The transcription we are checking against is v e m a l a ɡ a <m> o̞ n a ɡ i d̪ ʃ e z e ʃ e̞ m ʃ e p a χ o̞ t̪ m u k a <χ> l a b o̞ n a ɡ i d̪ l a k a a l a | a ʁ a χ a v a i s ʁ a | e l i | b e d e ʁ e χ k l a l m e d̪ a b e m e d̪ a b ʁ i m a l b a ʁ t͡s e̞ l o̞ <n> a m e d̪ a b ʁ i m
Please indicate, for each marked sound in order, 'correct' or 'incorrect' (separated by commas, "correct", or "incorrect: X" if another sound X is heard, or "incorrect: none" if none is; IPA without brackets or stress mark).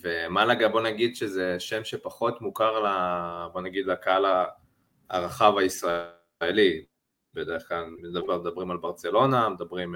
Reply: incorrect: b, incorrect: ʁ, correct